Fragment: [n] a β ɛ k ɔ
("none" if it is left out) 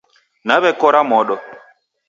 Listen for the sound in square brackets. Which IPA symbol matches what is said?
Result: n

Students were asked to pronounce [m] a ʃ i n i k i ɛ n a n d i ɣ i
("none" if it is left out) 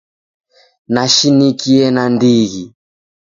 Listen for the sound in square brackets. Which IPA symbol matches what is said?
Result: n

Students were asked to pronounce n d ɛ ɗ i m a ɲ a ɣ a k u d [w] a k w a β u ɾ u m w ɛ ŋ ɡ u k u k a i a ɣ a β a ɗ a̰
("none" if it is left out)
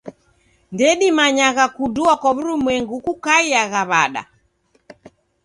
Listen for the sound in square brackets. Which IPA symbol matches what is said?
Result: u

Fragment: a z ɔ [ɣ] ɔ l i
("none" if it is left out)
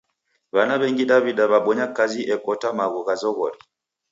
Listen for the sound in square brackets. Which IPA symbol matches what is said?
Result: ɣ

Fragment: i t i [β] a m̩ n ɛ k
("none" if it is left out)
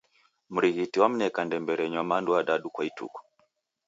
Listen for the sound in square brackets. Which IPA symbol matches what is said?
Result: w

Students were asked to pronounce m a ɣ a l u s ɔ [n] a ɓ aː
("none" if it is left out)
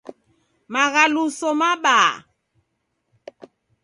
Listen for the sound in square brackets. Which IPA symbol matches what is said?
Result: m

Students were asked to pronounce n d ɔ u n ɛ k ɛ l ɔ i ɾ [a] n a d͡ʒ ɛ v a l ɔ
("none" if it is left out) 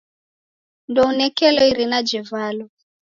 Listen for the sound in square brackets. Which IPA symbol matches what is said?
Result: i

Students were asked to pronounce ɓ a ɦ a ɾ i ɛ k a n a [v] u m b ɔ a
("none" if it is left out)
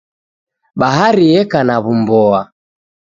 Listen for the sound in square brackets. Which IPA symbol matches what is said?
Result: β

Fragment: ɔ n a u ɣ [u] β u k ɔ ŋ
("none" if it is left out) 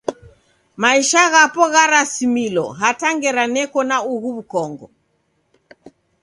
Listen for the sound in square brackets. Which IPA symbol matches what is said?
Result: u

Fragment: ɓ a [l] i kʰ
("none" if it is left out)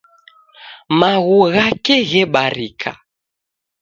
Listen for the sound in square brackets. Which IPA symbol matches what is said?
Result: ɾ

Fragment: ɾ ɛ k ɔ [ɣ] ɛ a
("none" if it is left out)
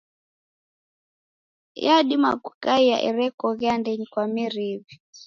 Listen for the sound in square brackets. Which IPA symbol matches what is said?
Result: ɣ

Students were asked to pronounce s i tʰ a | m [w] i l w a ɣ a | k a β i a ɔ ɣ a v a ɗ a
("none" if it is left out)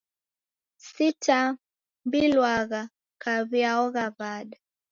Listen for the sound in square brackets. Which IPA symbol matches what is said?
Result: b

